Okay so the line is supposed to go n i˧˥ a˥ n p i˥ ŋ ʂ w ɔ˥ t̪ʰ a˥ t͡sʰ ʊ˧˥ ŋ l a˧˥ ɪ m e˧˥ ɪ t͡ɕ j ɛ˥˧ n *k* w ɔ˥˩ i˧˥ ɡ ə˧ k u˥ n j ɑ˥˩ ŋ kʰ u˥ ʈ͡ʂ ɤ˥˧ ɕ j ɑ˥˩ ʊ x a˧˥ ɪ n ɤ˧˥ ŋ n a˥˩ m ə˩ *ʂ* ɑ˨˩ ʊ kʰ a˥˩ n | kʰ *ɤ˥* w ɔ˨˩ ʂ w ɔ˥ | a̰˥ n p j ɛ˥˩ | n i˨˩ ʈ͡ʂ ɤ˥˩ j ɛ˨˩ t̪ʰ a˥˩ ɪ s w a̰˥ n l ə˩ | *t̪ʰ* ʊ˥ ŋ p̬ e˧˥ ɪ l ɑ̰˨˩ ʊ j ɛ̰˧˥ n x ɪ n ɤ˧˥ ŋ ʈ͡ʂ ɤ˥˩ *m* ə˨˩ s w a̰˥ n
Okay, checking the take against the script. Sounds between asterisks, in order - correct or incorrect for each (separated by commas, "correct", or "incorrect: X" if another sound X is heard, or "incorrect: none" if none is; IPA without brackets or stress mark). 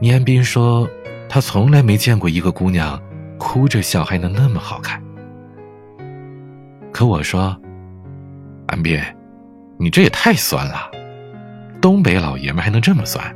correct, incorrect: x, incorrect: ɤ˧˥, incorrect: t̪, correct